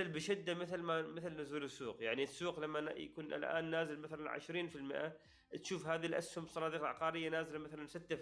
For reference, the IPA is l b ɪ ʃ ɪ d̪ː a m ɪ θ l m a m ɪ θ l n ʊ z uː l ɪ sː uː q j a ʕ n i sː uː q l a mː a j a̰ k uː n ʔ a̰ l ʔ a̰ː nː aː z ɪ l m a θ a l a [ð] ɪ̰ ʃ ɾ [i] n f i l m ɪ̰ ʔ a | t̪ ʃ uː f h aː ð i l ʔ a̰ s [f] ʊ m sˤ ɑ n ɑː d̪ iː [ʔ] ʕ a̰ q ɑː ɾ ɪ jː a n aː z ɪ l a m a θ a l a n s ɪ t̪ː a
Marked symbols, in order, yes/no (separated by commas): no, no, no, no